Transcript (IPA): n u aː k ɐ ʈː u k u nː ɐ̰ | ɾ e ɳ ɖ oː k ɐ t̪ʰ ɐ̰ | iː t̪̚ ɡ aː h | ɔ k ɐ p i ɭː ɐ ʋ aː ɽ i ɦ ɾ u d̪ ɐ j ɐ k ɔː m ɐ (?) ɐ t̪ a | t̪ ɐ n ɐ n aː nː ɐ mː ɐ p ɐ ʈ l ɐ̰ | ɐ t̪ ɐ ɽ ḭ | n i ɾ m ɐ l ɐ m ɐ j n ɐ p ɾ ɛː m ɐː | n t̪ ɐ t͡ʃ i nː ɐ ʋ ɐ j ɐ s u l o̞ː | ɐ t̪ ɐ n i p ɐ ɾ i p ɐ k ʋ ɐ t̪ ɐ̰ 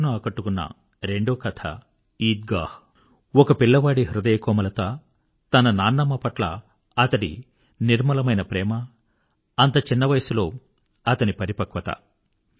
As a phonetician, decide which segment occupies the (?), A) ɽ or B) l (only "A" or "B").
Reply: B